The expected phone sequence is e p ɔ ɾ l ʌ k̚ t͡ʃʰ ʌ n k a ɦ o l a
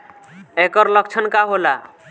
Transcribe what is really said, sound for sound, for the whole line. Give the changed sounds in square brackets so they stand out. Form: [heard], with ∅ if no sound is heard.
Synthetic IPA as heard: e [k] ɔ ɾ l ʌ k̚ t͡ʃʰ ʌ n k a ɦ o l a